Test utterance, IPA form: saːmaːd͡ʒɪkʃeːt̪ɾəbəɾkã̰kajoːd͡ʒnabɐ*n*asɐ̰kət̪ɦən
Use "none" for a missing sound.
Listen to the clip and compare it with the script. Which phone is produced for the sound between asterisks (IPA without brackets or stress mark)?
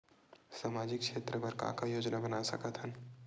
n